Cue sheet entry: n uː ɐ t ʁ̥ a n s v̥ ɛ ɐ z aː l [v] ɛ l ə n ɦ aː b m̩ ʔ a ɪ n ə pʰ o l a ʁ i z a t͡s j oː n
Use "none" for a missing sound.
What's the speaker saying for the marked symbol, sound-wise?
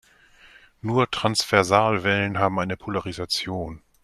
v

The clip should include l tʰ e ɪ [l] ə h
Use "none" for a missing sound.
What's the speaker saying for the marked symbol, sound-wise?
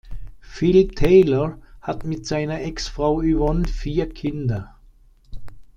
l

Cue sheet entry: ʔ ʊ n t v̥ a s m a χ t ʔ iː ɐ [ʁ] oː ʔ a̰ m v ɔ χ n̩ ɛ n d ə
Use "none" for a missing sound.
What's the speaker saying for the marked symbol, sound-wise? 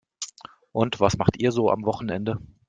z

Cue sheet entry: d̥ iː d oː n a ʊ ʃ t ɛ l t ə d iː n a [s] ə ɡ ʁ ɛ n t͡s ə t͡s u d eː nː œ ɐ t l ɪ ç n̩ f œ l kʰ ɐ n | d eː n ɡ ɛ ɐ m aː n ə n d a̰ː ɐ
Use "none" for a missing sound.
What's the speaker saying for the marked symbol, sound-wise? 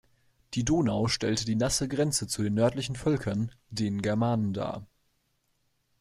s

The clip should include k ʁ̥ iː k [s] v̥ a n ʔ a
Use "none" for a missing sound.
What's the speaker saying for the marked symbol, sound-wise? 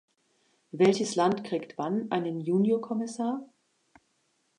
t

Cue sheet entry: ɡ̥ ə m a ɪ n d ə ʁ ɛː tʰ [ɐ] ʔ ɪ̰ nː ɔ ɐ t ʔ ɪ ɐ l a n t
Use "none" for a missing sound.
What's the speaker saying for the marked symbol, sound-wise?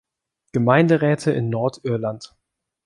ə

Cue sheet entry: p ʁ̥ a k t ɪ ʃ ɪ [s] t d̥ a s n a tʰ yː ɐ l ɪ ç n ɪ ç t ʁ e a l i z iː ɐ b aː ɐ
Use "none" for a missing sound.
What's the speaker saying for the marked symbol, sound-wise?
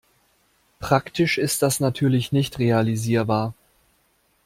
s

